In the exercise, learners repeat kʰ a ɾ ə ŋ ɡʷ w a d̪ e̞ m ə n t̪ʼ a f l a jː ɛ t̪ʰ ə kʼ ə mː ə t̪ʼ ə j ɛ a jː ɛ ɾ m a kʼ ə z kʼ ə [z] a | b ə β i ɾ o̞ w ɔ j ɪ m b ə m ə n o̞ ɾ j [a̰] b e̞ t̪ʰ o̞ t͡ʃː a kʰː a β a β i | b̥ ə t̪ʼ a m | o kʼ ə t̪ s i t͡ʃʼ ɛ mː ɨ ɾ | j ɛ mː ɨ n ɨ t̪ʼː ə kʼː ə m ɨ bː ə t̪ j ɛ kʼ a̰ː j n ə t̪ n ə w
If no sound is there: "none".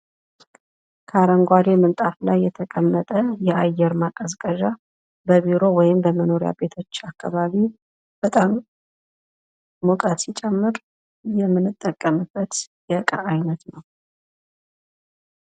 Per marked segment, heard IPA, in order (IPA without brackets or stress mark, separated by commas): ʒ, a̰